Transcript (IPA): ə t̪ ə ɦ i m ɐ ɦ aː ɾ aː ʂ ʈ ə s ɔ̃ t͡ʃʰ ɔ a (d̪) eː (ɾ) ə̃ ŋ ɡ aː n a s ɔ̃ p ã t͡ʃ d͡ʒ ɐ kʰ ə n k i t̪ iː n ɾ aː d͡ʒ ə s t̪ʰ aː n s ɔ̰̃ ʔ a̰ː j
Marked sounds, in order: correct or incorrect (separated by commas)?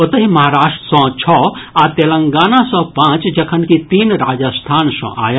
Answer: incorrect, incorrect